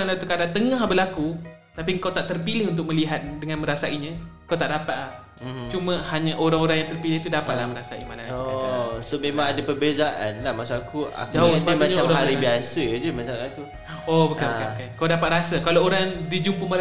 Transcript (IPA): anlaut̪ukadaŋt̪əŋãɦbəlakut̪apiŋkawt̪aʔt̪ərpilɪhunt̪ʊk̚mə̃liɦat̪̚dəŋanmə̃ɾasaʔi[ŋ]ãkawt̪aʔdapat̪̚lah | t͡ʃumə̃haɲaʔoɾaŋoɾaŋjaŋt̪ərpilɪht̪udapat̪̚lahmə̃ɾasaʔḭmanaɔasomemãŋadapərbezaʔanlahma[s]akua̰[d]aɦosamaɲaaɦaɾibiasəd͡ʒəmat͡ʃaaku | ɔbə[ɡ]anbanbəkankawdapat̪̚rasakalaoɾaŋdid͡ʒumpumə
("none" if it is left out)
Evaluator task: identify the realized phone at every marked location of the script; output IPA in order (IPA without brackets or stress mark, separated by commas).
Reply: ɲ, s, d͡ʒ, k